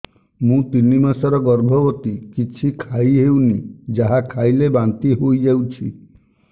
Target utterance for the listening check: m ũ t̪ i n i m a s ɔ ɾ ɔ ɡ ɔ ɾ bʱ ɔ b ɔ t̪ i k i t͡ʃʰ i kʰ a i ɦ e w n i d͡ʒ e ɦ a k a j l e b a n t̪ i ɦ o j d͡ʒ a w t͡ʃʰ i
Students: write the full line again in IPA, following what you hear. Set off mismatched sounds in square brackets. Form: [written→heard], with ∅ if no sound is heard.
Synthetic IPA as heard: m ũ t̪ i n i m a s ɔ ɾ ɔ ɡ ɔ ɾ bʱ ɔ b ɔ t̪ i k i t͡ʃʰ i kʰ a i ɦ e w n i d͡ʒ [e→a] ɦ a [k→kʰ] a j l e b a n t̪ i ɦ o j d͡ʒ a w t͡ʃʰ i